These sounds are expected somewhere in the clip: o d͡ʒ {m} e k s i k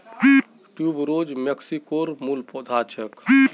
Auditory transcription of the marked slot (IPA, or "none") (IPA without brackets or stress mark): m